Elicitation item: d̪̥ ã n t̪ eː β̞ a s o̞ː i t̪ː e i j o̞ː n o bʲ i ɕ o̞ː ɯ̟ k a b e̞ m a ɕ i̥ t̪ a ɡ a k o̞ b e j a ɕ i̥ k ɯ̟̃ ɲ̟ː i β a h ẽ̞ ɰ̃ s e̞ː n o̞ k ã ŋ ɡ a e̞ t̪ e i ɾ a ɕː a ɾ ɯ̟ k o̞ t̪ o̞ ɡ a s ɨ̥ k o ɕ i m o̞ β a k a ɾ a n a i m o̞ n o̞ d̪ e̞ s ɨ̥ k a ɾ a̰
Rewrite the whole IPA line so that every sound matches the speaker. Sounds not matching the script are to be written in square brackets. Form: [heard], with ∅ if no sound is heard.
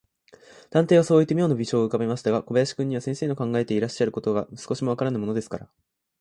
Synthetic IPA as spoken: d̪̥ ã n t̪ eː β̞ a s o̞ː i t̪ː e i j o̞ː n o bʲ i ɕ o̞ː ɯ̟ k a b e̞ m a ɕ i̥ t̪ a ɡ a k o̞ b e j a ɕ i̥ k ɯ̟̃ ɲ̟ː i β a [s] ẽ̞ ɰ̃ s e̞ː n o̞ k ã ŋ ɡ a e̞ t̪ e i ɾ a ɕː a ɾ ɯ̟ k o̞ t̪ o̞ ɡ a s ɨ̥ k o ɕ i m o̞ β a k a ɾ a n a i m o̞ n o̞ d̪ e̞ s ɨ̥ k a ɾ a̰